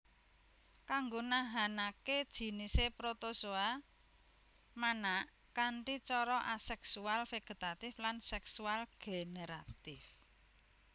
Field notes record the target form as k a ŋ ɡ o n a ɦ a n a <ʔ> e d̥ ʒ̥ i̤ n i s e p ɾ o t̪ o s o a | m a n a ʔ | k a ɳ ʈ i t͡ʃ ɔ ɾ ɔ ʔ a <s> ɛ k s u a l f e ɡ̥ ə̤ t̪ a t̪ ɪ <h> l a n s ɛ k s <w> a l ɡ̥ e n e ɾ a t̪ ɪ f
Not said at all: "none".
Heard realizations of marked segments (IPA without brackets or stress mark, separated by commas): k, s, f, u